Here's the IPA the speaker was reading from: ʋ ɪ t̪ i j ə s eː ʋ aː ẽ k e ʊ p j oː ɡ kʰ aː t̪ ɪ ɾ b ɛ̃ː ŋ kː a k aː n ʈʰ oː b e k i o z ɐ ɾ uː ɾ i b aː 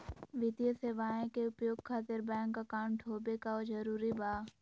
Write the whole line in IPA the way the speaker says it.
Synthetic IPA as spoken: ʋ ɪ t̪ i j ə s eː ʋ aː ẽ k e ʊ p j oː ɡ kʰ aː t̪ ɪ ɾ b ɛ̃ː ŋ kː a k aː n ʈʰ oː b e k a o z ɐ ɾ uː ɾ i b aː